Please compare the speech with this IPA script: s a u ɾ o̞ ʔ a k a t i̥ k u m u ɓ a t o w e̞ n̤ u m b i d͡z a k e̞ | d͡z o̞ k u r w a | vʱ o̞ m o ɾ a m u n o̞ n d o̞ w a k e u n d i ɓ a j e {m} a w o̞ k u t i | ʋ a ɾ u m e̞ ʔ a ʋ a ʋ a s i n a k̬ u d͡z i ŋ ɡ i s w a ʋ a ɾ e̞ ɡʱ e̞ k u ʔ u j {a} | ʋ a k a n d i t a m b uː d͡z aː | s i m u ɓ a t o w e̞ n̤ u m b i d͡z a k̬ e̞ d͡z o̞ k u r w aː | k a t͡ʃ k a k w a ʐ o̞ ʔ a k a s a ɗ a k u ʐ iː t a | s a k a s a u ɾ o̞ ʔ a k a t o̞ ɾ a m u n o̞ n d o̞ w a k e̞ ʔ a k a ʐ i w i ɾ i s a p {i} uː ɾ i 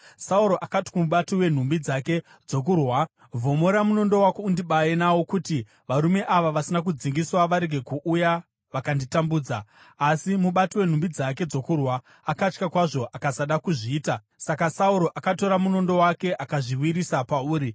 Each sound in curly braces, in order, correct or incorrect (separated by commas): incorrect, correct, incorrect